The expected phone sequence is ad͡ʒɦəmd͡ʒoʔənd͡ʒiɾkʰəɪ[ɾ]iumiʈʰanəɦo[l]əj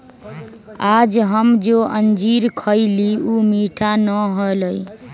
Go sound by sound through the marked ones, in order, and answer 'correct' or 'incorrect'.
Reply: incorrect: l, correct

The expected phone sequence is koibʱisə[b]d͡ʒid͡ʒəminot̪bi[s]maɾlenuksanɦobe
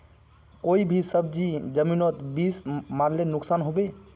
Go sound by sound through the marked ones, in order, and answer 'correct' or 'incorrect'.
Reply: correct, correct

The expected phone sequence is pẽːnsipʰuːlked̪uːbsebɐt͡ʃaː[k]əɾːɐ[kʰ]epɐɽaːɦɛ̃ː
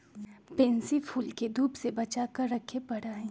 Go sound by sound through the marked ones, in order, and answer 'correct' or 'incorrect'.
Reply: correct, correct

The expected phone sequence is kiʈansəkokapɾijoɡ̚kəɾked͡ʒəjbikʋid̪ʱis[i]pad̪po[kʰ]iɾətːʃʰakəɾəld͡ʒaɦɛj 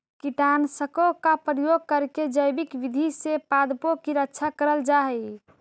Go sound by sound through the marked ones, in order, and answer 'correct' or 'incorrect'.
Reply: incorrect: e, incorrect: k

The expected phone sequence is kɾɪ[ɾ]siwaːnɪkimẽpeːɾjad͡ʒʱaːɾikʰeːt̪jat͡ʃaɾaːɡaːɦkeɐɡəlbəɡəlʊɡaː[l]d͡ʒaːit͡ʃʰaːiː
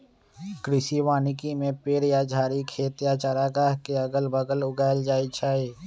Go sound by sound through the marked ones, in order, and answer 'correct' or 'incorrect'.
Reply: incorrect: none, correct

